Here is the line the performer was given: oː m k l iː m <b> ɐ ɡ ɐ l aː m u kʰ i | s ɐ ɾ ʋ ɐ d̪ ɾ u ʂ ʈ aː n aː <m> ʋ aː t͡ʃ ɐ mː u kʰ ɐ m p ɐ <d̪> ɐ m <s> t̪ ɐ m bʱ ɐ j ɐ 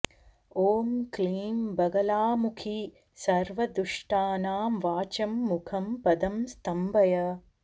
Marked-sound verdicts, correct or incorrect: correct, correct, correct, correct

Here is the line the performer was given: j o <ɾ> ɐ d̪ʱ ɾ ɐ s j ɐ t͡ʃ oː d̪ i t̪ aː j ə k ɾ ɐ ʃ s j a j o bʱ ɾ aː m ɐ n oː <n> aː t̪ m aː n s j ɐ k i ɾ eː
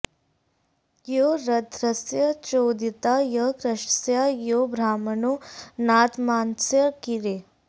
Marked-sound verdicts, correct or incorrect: correct, correct

